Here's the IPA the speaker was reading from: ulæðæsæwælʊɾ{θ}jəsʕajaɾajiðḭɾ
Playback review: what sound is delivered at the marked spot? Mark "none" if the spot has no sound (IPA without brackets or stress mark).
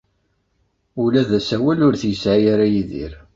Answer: θ